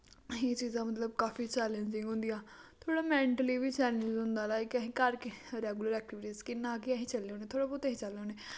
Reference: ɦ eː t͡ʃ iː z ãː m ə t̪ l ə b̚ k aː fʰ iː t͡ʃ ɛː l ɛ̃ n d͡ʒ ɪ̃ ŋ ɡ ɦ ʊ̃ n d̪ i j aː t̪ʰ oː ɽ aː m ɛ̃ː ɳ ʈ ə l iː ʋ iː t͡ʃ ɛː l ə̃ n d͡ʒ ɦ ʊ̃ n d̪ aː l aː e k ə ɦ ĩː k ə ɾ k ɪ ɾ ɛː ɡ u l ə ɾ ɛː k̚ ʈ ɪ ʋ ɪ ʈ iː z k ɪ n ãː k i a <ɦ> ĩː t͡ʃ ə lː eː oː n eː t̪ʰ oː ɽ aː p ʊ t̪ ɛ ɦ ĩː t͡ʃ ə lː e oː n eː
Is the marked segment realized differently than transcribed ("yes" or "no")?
no